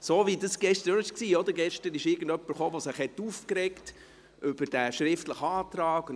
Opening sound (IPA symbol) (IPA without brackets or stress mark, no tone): s